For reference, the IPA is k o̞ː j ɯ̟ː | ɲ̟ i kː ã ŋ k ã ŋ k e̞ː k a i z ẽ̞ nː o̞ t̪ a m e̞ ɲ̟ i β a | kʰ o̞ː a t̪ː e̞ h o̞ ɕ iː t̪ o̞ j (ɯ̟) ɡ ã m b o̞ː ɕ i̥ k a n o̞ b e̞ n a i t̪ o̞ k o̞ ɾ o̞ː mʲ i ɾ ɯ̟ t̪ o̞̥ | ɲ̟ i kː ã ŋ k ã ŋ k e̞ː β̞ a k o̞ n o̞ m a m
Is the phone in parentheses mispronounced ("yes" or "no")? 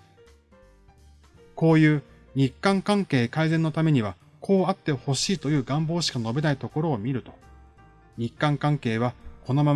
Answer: yes